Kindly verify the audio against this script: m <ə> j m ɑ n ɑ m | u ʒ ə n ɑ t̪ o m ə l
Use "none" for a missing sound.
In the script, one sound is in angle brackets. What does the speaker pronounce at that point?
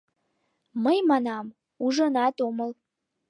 ə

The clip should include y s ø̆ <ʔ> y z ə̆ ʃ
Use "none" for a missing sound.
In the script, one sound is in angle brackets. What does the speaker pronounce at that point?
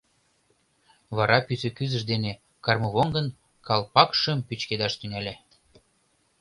k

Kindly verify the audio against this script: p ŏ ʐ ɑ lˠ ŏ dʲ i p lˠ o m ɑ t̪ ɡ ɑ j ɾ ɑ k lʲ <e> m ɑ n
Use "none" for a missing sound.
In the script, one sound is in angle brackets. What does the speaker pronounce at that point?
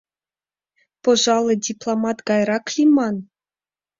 i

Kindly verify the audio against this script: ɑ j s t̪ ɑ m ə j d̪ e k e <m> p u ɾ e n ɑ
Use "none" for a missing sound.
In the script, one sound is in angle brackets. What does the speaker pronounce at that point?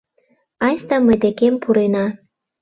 m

